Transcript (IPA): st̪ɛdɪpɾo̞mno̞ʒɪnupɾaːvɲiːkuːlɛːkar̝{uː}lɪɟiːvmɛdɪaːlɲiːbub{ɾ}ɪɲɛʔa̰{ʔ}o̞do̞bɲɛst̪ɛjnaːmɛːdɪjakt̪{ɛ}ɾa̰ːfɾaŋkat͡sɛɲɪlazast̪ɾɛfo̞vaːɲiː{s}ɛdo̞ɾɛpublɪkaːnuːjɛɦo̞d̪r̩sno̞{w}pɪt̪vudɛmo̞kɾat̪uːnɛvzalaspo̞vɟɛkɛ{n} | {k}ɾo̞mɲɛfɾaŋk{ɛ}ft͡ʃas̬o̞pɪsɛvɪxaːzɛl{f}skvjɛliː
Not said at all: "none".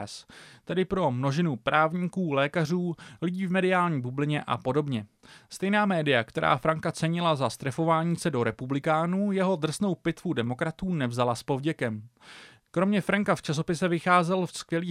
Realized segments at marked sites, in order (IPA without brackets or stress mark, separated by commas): uː, l, p, ɛ, s, w, m, k, a, f